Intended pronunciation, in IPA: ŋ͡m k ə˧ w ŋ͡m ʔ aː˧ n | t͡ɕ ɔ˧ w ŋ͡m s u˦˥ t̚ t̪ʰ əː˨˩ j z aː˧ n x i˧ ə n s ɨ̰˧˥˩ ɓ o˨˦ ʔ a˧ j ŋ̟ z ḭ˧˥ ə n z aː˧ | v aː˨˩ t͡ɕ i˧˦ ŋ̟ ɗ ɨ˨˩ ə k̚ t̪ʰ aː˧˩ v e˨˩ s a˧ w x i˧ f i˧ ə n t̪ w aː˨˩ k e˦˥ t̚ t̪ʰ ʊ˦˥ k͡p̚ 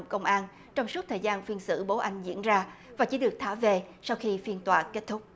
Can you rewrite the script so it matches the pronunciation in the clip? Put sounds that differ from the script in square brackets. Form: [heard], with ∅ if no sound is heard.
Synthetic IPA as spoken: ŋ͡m k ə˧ w ŋ͡m ʔ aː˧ n | t͡ɕ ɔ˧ w ŋ͡m s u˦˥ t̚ t̪ʰ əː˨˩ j z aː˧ n [f] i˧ ə n s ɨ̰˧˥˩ ɓ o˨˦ ʔ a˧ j ŋ̟ z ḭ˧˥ ə n z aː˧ | v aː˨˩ t͡ɕ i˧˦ [∅] ɗ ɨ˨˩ ə k̚ t̪ʰ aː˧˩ v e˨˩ s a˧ w x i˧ f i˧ ə n t̪ w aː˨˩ k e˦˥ t̚ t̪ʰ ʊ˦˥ k͡p̚